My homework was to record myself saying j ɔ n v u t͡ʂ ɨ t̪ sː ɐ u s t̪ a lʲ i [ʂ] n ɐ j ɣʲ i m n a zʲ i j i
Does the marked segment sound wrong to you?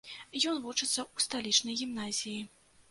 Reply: yes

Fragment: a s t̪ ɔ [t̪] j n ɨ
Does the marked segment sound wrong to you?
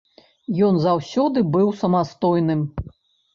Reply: yes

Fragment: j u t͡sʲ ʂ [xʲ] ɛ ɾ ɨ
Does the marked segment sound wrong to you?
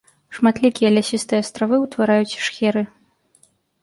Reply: no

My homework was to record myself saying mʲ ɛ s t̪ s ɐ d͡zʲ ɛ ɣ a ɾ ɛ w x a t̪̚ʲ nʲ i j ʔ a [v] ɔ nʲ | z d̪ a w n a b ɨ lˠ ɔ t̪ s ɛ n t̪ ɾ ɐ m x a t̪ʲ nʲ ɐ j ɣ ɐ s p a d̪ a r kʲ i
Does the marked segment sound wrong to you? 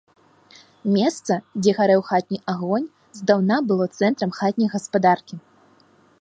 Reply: yes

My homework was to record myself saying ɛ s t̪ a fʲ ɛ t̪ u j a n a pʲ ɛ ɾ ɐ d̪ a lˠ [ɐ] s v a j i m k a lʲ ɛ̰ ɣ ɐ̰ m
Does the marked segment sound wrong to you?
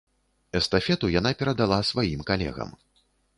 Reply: yes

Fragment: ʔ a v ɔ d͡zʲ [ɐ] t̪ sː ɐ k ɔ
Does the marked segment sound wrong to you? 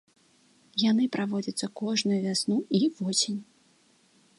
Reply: no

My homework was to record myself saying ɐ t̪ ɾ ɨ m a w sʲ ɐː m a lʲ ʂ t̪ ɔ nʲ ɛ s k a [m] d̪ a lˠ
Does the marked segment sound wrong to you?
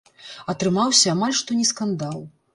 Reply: yes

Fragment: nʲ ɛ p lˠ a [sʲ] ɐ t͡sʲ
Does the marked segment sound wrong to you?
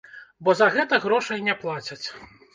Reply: yes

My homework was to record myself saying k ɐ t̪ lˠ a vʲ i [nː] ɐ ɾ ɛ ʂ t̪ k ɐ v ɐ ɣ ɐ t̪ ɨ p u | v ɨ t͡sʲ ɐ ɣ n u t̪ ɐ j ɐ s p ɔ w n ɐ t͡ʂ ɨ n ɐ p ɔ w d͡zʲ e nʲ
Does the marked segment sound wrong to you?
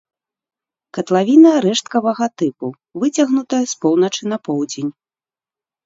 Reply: yes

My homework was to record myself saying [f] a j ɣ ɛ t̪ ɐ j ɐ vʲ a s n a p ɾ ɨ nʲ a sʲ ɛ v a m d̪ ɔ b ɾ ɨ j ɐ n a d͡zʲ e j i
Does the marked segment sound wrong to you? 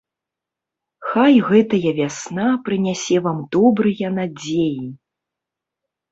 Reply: yes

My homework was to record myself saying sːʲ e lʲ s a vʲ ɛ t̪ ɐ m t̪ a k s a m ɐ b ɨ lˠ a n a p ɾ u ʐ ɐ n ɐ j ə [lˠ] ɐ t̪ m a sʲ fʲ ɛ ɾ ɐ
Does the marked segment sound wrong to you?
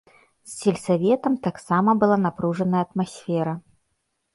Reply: yes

